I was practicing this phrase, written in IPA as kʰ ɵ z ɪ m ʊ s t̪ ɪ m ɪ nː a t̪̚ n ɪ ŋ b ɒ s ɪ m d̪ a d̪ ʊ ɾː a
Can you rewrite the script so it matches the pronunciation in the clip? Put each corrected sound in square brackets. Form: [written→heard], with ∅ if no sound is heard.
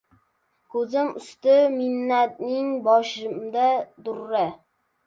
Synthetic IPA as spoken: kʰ ɵ z ɪ m ʊ s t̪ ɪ m ɪ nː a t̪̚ n ɪ ŋ b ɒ [s→ʃ] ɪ m d̪ a d̪ ʊ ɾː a